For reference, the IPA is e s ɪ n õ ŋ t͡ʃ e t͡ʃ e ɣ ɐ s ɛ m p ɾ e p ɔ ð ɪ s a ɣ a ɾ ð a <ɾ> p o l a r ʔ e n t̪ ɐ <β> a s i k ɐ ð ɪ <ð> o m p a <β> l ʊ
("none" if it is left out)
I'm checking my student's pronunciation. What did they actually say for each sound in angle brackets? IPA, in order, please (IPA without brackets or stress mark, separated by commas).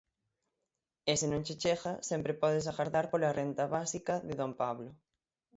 ɾ, β, ð, β